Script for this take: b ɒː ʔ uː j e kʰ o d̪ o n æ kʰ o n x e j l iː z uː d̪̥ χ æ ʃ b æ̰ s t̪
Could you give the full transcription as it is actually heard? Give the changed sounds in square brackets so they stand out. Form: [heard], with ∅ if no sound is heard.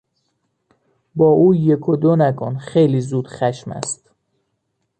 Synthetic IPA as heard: b ɒː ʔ uː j e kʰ o d̪ o n æ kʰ o n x e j l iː z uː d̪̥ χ æ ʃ [m] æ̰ s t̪